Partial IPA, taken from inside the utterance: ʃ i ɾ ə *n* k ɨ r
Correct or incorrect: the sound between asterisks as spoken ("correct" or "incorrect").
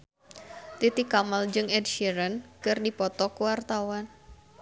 correct